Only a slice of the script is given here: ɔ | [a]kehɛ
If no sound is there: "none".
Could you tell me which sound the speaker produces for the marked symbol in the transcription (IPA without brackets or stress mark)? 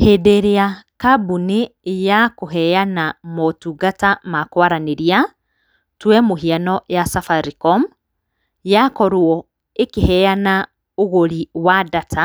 e